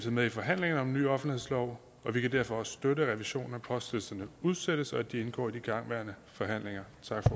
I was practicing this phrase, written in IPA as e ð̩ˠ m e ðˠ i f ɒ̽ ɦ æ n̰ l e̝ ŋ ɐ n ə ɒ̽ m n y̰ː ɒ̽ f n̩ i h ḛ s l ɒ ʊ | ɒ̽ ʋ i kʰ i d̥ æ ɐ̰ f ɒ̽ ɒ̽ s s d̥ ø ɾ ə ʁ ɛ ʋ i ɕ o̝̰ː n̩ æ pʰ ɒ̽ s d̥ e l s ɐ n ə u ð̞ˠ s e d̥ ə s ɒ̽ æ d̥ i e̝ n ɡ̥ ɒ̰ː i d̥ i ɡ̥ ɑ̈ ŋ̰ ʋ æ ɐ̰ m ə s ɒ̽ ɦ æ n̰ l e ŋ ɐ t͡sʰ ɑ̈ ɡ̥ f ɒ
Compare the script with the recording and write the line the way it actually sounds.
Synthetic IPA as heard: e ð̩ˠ m e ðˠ i f ɒ̽ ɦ æ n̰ l e̝ ŋ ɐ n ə ɒ̽ m n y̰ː ɒ̽ f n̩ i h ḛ s l ɒ ʊ | ɒ̽ ʋ i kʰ æ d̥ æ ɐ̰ f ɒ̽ ɒ̽ s s d̥ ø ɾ ə ʁ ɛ ʋ i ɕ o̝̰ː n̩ æ pʰ ɒ̽ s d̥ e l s ɐ n ə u ð̞ˠ s e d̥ ə s ɒ̽ æ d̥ i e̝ n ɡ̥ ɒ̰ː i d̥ i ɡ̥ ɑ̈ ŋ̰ ʋ æ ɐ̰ n ə f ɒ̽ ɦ æ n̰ l e ŋ ɐ t͡sʰ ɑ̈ ɡ̥ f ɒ

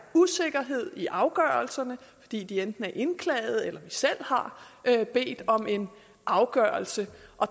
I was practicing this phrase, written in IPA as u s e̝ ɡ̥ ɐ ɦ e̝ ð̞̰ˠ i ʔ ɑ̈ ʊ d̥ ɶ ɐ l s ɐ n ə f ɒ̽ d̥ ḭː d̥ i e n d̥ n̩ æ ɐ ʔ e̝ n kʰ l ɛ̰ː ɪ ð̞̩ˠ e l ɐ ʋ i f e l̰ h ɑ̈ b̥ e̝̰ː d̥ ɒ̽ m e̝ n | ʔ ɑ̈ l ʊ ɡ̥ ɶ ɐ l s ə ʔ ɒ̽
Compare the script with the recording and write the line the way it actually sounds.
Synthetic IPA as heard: u s e̝ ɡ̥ ɐ ɦ e̝ ð̞̰ˠ i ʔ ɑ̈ ʊ ɡ̥ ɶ ɐ l s ɐ n ə f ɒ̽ d̥ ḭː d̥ i e n d̥ n̩ æ ɐ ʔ e̝ n kʰ l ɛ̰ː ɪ ð̞̩ˠ e l ɐ ʋ i s e l̰ h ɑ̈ b̥ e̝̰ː d̥ ɒ̽ m e̝ n | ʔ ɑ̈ ʊ ɡ̥ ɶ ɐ l s ə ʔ ɒ̽

